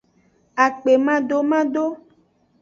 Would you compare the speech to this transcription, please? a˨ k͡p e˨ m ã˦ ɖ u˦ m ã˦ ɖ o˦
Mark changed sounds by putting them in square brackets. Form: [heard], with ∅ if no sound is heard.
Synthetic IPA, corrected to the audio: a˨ k͡p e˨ m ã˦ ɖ [o˦] m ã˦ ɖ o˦